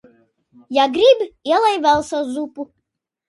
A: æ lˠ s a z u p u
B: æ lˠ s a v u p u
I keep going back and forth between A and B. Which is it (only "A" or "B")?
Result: A